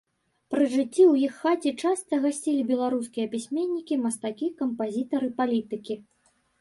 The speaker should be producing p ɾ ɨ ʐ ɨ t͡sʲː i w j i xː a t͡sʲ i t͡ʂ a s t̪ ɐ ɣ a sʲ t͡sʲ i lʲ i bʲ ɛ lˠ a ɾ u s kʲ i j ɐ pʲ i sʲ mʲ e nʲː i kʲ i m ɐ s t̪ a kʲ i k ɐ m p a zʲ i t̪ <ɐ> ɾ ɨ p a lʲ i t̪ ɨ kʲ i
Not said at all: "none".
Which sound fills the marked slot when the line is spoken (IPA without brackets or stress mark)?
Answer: ɐ